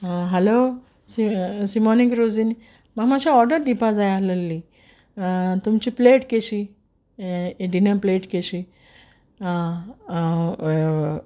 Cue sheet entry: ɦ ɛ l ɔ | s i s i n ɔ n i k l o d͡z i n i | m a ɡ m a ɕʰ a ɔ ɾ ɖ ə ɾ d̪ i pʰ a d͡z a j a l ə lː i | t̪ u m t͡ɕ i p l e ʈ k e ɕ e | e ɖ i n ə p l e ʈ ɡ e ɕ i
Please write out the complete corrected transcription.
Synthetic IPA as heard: ɦ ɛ l o | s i s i m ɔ n i k ɾ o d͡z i n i | m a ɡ m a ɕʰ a ɔ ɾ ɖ ə ɾ d̪ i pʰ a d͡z a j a l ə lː i | t̪ u m t͡ɕ i p l e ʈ k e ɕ i | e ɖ i n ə p l e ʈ k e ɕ i